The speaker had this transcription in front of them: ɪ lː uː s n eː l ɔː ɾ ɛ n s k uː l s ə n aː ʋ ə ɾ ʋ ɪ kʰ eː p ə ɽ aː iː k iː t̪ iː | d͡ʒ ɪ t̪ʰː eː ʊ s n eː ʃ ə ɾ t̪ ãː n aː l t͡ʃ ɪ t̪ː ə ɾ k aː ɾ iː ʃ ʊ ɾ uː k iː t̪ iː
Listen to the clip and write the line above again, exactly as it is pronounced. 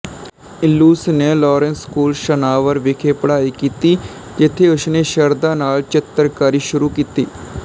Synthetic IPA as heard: ɪ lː uː s n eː l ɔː ɾ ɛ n s k uː l ʃ ə n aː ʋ ə ɾ ʋ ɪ kʰ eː p ə ɽ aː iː k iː t̪ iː | d͡ʒ ɪ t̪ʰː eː ʊ s n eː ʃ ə ɾ d̪ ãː n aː l t͡ʃ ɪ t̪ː ə ɾ k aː ɾ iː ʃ ʊ ɾ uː k iː t̪ iː